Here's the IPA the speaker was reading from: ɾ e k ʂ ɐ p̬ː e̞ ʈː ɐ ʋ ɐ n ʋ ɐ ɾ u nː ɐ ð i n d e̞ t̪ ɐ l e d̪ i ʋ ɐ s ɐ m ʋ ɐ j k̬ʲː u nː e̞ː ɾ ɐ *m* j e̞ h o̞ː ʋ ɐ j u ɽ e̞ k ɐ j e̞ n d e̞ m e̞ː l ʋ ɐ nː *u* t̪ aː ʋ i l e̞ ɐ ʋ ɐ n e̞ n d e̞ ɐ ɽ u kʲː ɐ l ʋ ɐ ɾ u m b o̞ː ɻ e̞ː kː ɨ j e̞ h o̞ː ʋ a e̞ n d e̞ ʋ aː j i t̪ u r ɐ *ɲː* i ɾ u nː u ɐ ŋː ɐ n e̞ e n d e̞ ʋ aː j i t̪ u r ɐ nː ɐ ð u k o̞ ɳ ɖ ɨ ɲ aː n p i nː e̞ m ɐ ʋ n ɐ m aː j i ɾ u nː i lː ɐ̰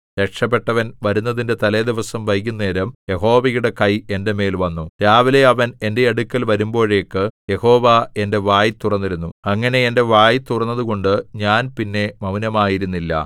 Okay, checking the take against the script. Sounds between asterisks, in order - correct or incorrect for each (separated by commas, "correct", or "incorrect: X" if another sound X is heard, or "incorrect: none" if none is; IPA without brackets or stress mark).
correct, correct, incorrect: nː